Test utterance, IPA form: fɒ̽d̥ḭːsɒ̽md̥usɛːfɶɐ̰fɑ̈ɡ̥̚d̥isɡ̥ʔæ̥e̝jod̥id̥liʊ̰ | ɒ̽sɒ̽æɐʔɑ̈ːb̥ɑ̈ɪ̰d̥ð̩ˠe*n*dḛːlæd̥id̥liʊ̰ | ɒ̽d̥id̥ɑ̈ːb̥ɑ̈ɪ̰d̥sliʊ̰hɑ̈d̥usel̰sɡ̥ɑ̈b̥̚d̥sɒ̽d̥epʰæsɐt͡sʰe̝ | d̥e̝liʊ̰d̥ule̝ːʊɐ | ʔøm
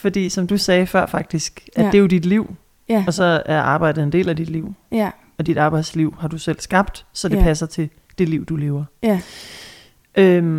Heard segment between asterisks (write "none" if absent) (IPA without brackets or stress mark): n